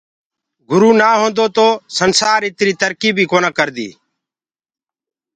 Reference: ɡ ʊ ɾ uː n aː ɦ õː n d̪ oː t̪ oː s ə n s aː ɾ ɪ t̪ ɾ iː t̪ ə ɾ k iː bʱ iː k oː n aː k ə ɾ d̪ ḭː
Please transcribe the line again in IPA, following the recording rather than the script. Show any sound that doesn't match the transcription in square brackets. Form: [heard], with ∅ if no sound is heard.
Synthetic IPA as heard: ɡ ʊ ɾ uː n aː ɦ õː n d̪ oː t̪ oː s ə n s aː ɾ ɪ t̪ ɾ iː t̪ ə ɾ k iː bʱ iː k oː n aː k ə ɾ d̪ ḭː